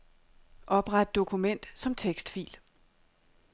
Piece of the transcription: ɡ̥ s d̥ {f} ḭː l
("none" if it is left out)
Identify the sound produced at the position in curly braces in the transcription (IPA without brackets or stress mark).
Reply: f